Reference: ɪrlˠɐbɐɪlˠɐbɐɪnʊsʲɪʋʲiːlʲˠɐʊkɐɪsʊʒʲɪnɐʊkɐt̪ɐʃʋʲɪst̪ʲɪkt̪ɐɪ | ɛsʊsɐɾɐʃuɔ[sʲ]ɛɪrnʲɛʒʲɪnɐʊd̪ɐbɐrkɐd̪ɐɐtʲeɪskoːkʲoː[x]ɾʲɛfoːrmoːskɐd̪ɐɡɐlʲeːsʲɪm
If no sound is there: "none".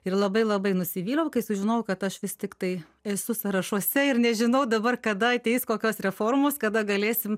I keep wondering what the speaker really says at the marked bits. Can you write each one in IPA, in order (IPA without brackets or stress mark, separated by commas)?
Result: sʲ, s